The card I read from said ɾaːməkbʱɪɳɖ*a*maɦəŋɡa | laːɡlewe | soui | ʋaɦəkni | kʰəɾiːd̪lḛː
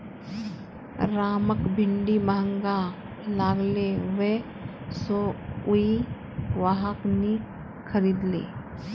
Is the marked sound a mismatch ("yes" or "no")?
yes